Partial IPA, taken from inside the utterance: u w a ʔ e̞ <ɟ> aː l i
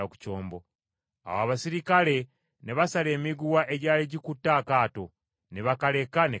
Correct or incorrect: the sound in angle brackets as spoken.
correct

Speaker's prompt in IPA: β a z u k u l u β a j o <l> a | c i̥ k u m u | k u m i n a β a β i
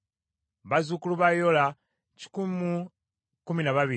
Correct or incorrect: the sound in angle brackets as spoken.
correct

